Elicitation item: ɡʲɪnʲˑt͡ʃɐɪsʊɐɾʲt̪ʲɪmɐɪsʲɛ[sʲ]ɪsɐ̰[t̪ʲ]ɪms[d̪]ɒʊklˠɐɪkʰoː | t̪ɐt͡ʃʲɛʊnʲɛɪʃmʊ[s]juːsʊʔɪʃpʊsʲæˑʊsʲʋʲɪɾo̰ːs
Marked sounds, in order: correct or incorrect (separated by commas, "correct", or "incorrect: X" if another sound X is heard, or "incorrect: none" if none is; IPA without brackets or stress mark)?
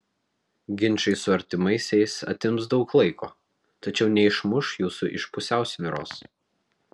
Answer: incorrect: none, correct, correct, incorrect: ʃ